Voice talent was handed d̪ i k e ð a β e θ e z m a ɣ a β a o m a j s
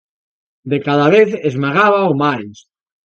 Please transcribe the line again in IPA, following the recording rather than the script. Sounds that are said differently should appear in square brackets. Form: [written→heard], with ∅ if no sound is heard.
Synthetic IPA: d̪ [i→e] k [e→a] ð a β e θ e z m a ɣ a β a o m a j s